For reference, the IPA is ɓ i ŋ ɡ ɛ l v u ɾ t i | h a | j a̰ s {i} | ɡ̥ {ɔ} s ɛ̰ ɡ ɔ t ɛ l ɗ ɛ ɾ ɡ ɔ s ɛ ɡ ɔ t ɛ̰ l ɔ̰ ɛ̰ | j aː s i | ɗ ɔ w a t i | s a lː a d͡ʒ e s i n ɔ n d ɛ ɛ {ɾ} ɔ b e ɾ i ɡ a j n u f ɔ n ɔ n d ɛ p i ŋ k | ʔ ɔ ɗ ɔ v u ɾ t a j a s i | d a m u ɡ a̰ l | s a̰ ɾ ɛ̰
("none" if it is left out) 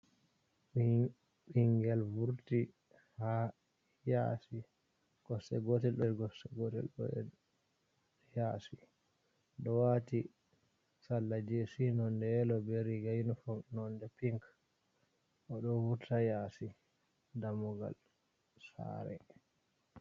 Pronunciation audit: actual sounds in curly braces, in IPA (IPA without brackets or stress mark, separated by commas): i, ɔ, l